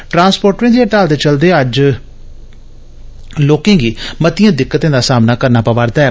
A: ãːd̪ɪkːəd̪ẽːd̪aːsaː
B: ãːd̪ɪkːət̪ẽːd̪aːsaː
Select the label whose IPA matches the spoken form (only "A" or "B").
B